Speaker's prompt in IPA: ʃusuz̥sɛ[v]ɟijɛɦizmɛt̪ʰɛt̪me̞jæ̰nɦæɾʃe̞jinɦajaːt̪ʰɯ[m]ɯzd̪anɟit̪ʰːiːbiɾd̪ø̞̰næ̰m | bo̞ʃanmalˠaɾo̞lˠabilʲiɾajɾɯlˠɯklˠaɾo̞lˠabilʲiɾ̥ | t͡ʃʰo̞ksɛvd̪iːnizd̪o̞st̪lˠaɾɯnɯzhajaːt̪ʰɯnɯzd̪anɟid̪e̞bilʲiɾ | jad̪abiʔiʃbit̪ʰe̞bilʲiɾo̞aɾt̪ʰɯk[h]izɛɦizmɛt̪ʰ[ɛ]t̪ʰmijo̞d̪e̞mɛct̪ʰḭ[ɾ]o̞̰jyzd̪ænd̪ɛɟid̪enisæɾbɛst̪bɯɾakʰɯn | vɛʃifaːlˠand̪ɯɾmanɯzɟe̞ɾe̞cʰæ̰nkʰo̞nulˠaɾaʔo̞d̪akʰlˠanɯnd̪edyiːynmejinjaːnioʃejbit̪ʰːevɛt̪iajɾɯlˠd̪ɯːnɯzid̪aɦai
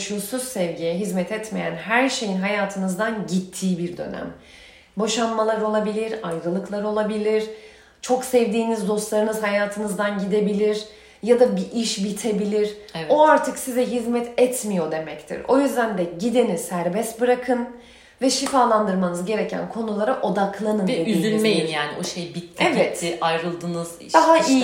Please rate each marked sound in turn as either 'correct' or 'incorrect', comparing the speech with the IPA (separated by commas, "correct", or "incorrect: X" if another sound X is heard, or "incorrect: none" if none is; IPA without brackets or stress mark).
correct, incorrect: n, incorrect: s, correct, correct